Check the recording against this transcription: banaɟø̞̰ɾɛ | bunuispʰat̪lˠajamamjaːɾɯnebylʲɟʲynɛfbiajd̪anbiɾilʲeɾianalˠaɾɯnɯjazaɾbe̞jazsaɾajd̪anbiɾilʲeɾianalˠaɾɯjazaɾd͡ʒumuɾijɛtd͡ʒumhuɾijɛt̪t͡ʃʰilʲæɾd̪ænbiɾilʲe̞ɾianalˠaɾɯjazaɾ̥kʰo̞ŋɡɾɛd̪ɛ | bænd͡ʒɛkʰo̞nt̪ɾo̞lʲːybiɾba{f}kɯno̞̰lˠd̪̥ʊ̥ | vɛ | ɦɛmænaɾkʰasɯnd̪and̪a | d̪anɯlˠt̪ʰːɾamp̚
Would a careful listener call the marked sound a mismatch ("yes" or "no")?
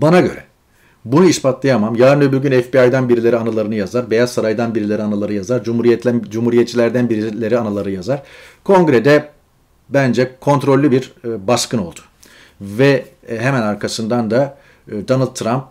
yes